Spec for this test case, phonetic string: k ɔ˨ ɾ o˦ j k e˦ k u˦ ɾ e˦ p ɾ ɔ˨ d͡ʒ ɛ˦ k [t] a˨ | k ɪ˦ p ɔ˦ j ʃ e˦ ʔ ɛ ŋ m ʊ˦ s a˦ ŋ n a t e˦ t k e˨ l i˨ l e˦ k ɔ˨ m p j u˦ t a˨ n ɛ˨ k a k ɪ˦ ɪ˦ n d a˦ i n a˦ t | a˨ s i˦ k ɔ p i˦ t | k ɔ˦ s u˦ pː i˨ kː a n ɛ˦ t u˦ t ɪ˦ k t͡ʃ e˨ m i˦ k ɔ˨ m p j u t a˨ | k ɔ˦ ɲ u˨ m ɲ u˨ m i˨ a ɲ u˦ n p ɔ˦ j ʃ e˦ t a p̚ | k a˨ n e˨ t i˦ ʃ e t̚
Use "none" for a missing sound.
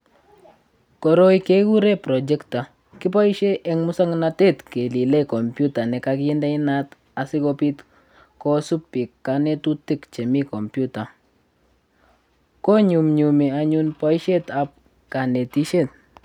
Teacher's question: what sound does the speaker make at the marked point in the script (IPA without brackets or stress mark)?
t